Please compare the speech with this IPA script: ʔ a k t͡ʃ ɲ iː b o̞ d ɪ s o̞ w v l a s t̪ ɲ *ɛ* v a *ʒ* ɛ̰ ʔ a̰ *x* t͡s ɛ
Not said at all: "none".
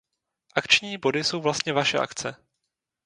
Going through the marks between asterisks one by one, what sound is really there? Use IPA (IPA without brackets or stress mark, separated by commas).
ɛ, ʃ, k